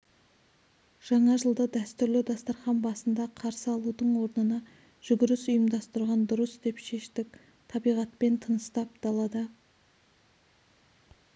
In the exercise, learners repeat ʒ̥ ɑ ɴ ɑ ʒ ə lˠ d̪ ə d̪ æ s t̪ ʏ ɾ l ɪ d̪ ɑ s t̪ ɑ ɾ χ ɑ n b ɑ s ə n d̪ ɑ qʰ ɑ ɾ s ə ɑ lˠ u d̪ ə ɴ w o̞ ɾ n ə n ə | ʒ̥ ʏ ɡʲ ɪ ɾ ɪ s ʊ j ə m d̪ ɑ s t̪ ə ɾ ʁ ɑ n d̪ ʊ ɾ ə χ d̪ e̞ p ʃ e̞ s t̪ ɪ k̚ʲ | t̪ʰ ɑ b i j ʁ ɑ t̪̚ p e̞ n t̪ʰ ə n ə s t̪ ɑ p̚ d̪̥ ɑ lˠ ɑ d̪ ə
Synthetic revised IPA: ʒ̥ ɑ ɴ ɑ ʒ ə lˠ d̪ ə d̪ æ s t̪ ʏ ɾ l ɪ d̪ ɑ s t̪ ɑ ɾ χ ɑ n b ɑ s ə n d̪ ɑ qʰ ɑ ɾ s ə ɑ lˠ u d̪ ə ɴ w o̞ ɾ n ə n ɑ | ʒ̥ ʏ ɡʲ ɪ ɾ ɪ s ʊ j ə m d̪ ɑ s t̪ ə ɾ ʁ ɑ n d̪ ʊ ɾ ə s d̪ e̞ p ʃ e̞ ʃ t̪ ɪ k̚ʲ | t̪ʰ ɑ b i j ʁ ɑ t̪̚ p e̞ n t̪ʰ ə n ə s t̪ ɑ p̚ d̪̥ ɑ lˠ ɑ d̪ ə